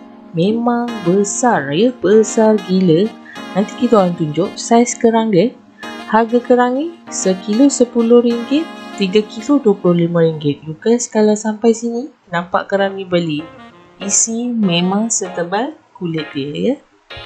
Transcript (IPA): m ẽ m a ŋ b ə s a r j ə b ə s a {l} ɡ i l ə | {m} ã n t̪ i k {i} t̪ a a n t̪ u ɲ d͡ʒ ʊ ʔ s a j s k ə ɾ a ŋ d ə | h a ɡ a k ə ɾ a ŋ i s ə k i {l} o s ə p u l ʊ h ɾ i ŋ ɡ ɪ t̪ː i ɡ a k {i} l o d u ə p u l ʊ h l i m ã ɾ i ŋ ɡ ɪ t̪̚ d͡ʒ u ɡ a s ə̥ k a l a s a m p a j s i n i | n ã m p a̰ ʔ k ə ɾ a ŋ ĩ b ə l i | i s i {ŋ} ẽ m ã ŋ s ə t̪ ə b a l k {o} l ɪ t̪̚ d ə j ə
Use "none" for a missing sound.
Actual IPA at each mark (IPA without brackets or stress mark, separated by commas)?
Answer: r, n, i, l, i, m, u